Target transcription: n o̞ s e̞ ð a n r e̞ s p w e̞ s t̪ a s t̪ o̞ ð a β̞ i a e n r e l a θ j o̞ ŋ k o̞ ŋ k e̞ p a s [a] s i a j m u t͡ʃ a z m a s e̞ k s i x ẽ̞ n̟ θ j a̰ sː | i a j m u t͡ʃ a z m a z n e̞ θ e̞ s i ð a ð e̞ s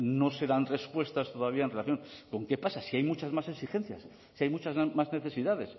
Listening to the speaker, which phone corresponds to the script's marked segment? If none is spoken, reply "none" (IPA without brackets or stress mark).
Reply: a